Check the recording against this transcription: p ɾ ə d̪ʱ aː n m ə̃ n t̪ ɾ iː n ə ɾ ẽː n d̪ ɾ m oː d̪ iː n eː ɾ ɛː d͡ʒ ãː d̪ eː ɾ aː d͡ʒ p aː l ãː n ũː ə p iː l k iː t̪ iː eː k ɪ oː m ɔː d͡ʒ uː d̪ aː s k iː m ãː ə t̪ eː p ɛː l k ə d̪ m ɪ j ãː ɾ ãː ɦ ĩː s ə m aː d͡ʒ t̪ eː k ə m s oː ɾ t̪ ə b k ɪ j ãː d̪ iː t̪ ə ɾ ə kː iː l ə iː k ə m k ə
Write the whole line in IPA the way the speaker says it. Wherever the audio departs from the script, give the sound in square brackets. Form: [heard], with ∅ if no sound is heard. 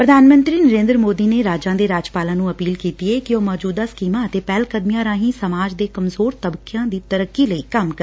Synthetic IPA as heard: p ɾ ə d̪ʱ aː n m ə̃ n t̪ ɾ iː n ə ɾ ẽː n d̪ ɾ m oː d̪ iː n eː ɾ [aː] d͡ʒ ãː d̪ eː ɾ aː d͡ʒ p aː l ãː n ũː ə p iː l k iː t̪ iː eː k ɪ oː m ɔː d͡ʒ uː d̪ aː s k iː m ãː ə t̪ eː p ɛː l k ə d̪ m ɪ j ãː ɾ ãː ɦ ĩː s ə m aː d͡ʒ [d̪] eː k ə m [z] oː ɾ t̪ ə b k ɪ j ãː d̪ iː t̪ ə ɾ ə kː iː l ə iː k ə m k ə

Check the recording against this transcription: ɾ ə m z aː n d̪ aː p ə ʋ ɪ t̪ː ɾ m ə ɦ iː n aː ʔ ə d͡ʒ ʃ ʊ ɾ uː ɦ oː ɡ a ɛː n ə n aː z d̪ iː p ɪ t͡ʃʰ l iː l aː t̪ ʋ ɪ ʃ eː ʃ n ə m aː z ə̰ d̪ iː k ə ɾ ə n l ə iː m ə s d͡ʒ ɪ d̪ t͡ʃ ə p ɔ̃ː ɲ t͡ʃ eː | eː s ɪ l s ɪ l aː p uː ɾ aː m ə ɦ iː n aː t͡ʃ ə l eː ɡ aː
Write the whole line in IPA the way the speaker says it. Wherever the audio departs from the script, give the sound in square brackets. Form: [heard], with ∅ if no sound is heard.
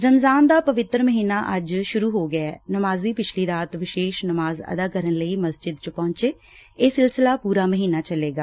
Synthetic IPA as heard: ɾ ə m z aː n d̪ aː p ə ʋ ɪ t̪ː ɾ m ə ɦ iː n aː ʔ ə d͡ʒ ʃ ʊ ɾ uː ɦ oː ɡ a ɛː n ə [m] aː z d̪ iː p ɪ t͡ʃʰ l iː [ɾ] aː t̪ ʋ ɪ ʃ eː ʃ n ə m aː z ə̰ d̪ [aː] k ə ɾ ə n l ə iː m ə s d͡ʒ ɪ d̪ t͡ʃ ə p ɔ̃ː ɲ t͡ʃ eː | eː s ɪ l s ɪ l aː p uː ɾ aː m ə ɦ iː n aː t͡ʃ ə l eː ɡ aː

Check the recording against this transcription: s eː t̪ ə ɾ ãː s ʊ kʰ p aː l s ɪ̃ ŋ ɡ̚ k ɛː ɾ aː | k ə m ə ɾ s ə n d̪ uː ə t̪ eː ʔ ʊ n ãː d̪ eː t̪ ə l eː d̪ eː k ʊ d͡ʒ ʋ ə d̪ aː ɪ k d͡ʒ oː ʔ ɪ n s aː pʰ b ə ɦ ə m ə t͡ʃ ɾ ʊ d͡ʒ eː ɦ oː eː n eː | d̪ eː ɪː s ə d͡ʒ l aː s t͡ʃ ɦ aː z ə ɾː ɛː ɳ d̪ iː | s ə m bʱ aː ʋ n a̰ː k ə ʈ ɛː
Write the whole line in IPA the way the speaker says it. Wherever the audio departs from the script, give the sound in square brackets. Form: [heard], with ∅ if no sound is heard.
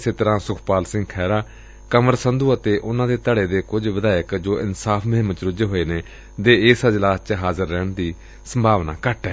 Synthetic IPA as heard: s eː t̪ ə ɾ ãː s ʊ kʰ p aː l s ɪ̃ ŋ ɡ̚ [kʰ] ɛː ɾ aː | k ə m ə ɾ s ə n d̪ uː ə t̪ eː ʔ ʊ n ãː d̪ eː t̪ ə [ɽ] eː d̪ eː k ʊ d͡ʒ ʋ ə d̪ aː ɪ k d͡ʒ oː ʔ ɪ n s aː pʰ [m] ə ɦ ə m ə t͡ʃ ɾ ʊ d͡ʒ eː ɦ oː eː n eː | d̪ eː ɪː s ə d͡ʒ l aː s t͡ʃ ɦ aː z ə ɾː ɛː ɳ d̪ iː | s ə m bʱ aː ʋ n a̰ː k ə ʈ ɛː

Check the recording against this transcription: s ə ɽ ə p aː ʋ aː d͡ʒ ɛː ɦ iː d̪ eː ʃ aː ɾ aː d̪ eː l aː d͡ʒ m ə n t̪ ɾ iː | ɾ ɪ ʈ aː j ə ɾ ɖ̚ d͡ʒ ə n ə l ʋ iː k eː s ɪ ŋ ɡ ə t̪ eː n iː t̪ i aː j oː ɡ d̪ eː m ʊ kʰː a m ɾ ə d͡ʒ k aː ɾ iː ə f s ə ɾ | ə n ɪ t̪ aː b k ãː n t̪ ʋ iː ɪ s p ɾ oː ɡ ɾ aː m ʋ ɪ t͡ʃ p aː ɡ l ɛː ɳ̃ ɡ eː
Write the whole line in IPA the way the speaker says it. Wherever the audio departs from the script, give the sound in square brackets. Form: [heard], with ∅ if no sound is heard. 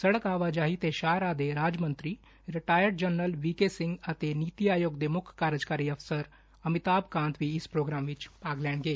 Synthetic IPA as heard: s ə ɽ ə [k] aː ʋ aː d͡ʒ [aː] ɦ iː [t̪] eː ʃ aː ɾ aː d̪ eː [ɾ] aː d͡ʒ m ə n t̪ ɾ iː | ɾ ɪ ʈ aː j ə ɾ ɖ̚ d͡ʒ ə n ə l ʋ iː k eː s ɪ ŋ ɡ ə t̪ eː n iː t̪ i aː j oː ɡ d̪ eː m ʊ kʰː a [∅] ɾ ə d͡ʒ k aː ɾ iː ə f s ə ɾ | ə [m] ɪ t̪ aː b k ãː n t̪ ʋ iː ɪ s p ɾ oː ɡ ɾ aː m ʋ ɪ t͡ʃ p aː ɡ l ɛː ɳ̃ ɡ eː

